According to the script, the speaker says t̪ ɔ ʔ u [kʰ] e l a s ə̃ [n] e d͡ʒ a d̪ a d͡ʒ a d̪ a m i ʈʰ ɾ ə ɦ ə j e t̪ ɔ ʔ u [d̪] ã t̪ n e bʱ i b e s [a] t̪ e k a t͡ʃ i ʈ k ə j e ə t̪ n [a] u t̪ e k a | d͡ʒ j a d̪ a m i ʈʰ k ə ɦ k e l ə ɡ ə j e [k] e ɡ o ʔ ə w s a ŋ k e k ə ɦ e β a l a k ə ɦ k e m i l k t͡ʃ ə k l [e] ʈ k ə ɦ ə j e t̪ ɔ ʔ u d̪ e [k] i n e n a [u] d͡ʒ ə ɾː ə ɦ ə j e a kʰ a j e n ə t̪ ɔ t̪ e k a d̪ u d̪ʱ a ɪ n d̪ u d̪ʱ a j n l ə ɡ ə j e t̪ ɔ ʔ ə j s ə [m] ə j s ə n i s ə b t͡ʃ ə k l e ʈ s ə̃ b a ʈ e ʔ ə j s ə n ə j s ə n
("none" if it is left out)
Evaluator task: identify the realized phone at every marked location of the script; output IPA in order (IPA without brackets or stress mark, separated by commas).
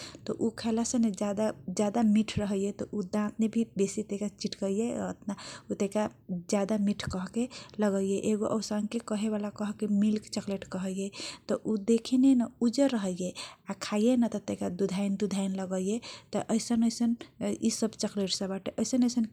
kʰ, n, d̪, i, a, ʔ, e, kʰ, u, n